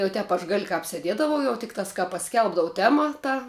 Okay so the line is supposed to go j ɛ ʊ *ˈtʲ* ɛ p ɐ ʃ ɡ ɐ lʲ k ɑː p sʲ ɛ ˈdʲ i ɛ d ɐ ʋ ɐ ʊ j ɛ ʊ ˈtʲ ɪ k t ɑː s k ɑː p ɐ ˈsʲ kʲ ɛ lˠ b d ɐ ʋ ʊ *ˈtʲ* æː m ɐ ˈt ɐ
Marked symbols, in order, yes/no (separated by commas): yes, yes